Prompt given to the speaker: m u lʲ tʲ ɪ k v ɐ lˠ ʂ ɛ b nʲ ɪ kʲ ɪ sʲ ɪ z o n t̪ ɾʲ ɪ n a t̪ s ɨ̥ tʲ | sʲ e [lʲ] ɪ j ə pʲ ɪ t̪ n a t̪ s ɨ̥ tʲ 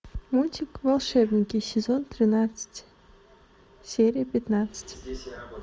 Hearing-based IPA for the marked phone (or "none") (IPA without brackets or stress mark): ɾʲ